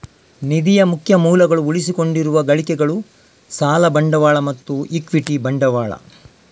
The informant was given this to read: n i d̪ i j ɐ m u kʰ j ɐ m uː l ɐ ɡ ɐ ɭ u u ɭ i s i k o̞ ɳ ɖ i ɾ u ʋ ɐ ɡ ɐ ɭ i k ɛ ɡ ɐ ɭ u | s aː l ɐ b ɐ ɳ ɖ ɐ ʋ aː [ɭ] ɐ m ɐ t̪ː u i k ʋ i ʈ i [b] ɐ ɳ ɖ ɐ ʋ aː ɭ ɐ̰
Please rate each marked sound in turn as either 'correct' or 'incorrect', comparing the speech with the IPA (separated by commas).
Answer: correct, correct